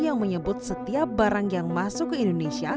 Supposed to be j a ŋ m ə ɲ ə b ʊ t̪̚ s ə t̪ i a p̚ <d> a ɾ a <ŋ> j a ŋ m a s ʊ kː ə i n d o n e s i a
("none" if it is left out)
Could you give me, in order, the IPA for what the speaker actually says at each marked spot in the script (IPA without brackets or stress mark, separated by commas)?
b, ŋ